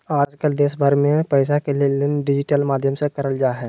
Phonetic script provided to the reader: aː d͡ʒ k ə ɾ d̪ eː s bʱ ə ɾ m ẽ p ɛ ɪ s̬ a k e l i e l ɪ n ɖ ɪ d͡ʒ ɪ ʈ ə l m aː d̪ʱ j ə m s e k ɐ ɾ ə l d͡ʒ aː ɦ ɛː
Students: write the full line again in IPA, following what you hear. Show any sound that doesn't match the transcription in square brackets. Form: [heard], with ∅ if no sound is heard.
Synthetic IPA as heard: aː d͡ʒ k ə [l] d̪ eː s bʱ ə ɾ m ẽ p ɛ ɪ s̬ a k e l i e l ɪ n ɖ ɪ d͡ʒ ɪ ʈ ə l m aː d̪ʱ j ə m s e k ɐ ɾ ə l d͡ʒ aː ɦ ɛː